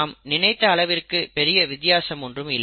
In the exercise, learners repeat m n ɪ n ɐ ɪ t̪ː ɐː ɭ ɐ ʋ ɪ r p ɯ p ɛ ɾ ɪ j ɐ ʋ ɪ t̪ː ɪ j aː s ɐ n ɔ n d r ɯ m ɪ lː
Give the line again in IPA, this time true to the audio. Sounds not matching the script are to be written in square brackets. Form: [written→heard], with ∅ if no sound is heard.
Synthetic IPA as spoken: m n ɪ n ɐ ɪ t̪ː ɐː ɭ ɐ ʋ ɪ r [p→k] ɯ p ɛ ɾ ɪ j ɐ ʋ ɪ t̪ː ɪ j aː s ɐ [n→m] ɔ n d r ɯ m ɪ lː